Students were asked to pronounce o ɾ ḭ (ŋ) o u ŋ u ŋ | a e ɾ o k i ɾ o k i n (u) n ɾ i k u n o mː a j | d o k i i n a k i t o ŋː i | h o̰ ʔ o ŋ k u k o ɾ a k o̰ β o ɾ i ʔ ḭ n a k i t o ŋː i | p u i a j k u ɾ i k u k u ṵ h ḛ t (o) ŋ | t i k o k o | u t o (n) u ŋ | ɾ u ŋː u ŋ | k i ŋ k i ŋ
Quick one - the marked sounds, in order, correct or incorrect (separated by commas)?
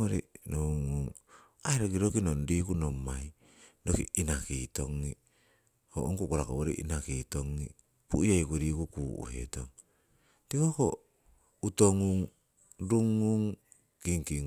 incorrect, incorrect, correct, incorrect